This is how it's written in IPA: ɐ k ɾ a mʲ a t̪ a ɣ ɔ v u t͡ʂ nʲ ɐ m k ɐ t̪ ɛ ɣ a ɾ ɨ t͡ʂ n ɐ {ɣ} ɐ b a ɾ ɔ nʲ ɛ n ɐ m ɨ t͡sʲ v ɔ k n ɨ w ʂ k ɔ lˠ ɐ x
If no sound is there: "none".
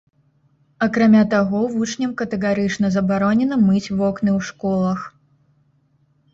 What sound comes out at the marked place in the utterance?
z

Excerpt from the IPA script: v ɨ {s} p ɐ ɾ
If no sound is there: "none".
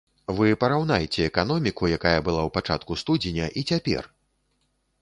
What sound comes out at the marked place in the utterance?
none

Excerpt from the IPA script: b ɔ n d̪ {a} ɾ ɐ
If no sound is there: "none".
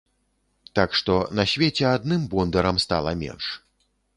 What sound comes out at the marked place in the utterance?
ɐ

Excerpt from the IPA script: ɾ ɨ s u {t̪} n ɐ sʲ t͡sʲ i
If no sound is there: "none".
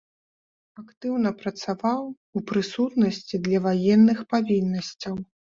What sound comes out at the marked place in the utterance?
t̪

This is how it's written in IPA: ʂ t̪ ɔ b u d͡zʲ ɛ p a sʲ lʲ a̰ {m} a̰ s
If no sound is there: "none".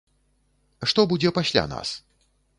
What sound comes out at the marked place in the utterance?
n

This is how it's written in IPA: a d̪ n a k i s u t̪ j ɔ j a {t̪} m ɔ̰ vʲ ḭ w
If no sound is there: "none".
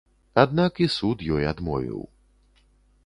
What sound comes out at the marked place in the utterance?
d̪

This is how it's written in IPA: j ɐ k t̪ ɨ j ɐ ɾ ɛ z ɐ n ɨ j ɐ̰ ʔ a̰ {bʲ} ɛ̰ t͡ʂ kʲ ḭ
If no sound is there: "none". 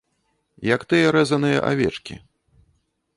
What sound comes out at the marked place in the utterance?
vʲ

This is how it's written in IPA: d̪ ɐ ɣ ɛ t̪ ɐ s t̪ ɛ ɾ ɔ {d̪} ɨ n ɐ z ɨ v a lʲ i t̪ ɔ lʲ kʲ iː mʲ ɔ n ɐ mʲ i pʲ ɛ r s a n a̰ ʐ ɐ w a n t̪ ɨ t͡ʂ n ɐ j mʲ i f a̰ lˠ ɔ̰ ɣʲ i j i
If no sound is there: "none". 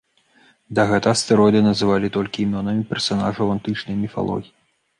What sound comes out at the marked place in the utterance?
d̪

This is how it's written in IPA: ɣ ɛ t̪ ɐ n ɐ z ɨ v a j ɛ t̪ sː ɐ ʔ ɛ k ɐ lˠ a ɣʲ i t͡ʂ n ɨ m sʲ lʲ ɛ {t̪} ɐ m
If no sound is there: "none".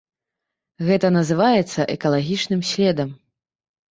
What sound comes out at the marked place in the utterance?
d̪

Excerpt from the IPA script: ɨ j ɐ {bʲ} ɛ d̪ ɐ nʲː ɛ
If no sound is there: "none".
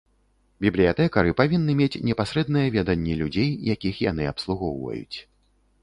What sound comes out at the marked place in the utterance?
vʲ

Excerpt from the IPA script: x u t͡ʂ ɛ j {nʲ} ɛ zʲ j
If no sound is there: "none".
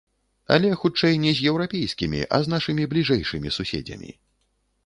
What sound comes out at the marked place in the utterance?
nʲ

